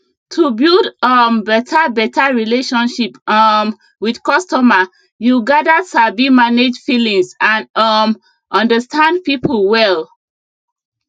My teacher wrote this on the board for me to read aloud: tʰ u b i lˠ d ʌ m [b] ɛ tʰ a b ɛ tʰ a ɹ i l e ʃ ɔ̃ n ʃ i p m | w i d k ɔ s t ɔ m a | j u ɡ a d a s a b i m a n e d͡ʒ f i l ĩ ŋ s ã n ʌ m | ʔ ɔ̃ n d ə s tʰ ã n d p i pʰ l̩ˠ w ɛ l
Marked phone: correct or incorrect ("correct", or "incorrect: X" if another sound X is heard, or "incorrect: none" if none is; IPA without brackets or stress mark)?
correct